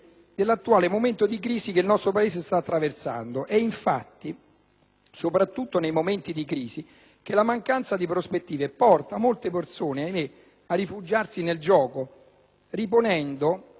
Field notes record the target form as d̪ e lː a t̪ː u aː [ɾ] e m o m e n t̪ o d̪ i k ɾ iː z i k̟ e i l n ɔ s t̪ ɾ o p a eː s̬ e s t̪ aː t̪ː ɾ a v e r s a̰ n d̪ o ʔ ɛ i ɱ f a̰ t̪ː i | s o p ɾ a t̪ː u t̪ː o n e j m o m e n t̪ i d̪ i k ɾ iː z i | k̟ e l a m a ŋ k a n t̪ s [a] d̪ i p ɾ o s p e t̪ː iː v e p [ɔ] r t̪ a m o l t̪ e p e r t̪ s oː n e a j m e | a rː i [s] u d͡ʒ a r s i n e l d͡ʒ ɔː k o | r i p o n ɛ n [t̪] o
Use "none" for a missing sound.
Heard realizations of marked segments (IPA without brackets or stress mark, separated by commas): l, a, ɔ, f, d̪